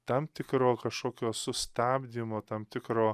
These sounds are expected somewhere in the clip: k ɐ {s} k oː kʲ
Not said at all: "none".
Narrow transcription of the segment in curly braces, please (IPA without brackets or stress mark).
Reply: ʃ